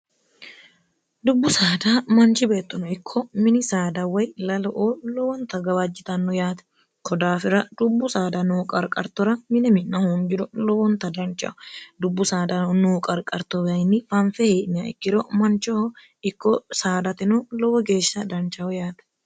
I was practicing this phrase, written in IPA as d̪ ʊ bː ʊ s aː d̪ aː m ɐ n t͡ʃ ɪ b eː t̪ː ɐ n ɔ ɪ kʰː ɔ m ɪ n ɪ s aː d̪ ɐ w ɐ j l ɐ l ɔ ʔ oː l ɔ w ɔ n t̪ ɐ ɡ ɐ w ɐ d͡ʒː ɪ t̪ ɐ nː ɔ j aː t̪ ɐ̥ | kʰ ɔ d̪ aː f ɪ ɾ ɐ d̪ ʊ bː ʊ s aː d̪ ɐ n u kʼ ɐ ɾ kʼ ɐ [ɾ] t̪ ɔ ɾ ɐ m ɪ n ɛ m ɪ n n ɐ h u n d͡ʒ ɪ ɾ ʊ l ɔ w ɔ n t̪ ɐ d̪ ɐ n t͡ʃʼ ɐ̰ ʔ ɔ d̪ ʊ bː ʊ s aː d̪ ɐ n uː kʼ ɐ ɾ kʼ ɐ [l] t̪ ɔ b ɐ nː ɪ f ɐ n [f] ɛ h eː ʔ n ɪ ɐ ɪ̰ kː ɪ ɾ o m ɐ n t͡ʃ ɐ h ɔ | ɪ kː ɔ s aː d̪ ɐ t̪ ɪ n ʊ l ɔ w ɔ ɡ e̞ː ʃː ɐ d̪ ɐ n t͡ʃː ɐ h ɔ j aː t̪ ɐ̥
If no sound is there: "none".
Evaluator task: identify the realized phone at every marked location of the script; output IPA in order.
ɾ, ɾ, f

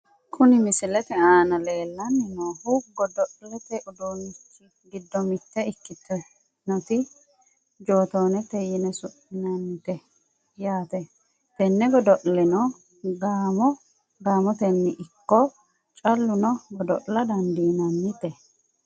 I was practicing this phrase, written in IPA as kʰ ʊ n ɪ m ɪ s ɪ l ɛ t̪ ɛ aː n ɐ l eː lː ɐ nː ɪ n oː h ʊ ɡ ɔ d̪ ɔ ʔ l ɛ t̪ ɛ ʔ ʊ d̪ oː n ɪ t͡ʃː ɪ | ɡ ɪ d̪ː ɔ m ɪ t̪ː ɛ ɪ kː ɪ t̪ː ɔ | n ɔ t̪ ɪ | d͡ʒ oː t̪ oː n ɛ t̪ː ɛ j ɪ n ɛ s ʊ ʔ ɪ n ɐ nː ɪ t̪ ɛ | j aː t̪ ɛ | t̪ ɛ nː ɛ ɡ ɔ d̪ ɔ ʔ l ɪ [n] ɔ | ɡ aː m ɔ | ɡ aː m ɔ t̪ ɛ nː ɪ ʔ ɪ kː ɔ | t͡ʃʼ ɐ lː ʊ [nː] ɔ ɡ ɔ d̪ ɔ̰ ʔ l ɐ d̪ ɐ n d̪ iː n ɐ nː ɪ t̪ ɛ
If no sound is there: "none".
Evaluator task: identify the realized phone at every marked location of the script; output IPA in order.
n, n

